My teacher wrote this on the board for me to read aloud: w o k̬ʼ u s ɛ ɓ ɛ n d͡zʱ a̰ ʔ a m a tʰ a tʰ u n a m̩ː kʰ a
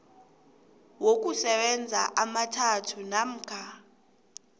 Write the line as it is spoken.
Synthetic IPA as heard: w o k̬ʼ u s ɛ ɓ ɛ n d͡zʱ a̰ ʔ a m a tʰ a tʰ u n a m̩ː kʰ a